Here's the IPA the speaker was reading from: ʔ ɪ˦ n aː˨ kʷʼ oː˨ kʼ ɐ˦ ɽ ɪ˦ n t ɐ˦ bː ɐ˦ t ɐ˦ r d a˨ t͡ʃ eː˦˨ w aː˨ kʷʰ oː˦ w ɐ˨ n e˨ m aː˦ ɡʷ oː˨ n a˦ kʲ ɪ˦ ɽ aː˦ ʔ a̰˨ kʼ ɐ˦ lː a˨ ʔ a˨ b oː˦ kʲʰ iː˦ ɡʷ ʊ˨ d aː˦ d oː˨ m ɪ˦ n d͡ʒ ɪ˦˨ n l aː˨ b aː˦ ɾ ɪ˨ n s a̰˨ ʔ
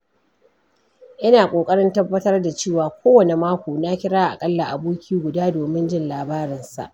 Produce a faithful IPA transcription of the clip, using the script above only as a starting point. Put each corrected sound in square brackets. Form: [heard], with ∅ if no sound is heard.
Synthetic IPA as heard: ʔ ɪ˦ n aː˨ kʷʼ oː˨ kʼ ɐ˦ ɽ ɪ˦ n t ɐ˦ bː ɐ˦ t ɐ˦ r d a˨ t͡ʃ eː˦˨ w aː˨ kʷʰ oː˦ w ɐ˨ n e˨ m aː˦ [kʷ] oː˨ n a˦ kʲ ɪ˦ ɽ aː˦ ʔ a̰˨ kʼ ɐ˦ lː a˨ ʔ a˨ b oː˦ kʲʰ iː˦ ɡʷ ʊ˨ d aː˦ d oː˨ m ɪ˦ n d͡ʒ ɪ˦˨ n l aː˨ b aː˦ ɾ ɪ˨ n s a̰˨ ʔ